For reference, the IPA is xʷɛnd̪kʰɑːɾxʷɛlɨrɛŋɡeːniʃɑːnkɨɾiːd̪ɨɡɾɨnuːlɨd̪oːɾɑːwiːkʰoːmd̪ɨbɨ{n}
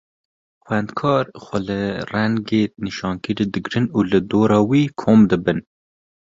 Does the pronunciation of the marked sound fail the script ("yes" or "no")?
no